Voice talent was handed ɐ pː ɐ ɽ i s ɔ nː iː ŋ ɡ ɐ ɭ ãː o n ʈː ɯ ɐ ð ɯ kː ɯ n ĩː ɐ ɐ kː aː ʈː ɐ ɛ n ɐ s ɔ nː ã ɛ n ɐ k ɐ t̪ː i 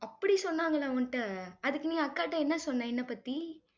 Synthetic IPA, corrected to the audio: ɐ pː ɐ ɽ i s ɔ nː aː ŋ ɡ ɐ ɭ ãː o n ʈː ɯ ɐ ð ɯ kː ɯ n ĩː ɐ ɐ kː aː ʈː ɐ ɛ nː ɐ s ɔ nː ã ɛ nː ɐ p ɐ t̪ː i